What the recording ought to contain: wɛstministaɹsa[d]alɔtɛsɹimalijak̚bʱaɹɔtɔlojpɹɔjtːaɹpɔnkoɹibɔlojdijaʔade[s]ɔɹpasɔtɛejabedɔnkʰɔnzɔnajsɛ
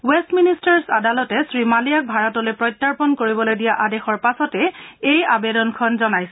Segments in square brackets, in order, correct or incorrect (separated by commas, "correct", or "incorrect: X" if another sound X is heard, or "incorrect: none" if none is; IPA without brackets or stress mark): correct, incorrect: x